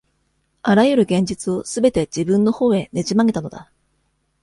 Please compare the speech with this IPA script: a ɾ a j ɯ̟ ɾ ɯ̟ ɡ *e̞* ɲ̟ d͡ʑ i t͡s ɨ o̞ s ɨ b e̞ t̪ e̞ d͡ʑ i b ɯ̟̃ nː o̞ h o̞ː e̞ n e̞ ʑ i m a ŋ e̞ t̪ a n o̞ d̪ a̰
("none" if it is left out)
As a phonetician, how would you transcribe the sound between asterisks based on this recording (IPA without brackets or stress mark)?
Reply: ẽ̞